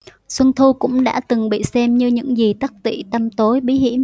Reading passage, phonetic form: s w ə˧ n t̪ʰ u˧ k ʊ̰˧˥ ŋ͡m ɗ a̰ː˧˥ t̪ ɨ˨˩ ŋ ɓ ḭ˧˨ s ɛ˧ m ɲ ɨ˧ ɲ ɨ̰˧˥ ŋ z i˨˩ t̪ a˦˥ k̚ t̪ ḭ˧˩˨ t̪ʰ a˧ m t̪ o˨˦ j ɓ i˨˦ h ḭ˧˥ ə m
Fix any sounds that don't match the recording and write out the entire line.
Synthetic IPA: s w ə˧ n t̪ʰ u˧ k ʊ̰˧˥ ŋ͡m ɗ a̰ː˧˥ t̪ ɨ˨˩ ŋ ɓ ḭ˧˨ s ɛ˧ m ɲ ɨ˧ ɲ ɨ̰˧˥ ŋ z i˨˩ t̪ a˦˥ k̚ t̪ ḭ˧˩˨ t̪ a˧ m t̪ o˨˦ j ɓ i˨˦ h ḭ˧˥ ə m